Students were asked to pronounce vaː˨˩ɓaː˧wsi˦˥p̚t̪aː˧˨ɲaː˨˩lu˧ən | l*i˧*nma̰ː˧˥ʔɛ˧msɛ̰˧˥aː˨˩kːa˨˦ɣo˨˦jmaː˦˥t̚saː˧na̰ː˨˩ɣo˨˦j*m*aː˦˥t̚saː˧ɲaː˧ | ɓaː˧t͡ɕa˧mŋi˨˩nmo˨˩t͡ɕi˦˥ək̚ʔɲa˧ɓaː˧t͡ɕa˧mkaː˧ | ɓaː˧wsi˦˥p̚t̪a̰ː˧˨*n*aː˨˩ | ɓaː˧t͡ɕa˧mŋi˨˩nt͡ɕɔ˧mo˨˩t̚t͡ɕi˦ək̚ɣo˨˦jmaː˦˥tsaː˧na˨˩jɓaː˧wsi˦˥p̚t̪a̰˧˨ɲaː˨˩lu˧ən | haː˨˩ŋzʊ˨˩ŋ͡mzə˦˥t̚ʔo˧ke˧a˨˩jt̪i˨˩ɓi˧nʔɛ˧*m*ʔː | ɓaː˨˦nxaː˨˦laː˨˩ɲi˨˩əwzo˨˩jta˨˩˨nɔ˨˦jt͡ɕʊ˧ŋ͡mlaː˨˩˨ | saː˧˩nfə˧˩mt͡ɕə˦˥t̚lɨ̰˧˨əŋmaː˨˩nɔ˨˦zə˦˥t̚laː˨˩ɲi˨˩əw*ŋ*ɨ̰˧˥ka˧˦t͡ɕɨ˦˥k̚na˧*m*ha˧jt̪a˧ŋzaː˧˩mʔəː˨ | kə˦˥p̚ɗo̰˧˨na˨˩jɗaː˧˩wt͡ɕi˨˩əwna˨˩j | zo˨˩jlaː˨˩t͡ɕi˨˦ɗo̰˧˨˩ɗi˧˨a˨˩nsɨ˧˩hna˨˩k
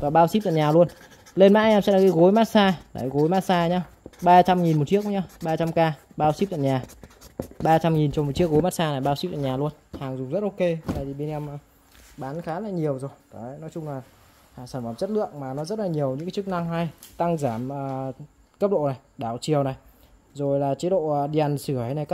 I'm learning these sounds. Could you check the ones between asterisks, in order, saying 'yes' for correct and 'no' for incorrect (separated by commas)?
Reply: no, yes, no, yes, no, no